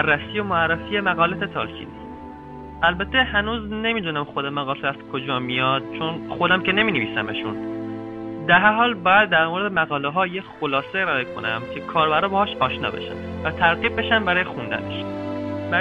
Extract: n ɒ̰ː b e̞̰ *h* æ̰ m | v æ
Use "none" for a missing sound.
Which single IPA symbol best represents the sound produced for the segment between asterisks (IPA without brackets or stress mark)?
ʃ